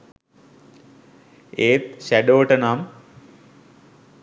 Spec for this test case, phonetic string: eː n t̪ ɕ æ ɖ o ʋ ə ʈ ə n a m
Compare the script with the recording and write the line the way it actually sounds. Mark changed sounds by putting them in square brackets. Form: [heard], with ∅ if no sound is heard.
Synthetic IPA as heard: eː [∅] t̪ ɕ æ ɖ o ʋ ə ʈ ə n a m